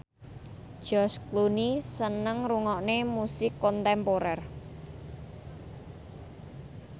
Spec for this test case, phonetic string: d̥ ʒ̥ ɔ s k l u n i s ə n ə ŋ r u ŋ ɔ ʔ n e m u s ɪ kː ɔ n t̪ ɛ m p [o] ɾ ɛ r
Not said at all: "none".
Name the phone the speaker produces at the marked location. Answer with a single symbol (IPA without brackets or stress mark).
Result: o